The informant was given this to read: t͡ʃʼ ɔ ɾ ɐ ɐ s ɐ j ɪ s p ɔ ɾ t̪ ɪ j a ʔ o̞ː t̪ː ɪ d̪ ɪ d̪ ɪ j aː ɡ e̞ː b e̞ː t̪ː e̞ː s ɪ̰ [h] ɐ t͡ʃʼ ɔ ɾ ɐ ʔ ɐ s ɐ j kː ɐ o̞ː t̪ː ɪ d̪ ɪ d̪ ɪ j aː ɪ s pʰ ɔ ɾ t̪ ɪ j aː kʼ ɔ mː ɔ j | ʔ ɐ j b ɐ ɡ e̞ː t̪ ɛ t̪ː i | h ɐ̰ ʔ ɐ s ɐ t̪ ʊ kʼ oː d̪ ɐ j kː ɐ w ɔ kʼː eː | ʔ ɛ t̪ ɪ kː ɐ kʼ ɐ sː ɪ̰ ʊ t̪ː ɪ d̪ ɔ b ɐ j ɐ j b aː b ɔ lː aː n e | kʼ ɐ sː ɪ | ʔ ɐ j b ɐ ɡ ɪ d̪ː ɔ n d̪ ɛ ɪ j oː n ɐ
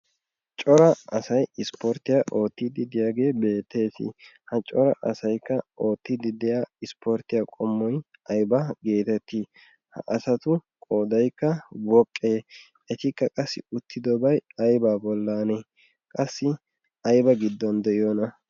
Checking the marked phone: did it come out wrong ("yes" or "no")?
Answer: no